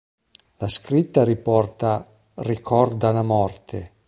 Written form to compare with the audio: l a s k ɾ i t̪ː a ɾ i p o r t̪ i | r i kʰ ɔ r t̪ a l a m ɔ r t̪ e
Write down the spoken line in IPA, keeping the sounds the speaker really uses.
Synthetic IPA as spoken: l a s k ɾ i t̪ː a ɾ i p ɔ r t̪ a | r i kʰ ɔ r d̪ a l a m ɔ r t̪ e